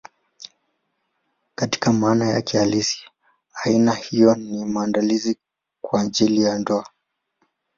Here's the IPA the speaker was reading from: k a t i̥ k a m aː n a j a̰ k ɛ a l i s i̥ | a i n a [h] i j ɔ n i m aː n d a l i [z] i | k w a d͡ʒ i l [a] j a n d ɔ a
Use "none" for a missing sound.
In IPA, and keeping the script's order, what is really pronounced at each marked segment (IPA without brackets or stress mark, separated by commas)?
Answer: h, z, i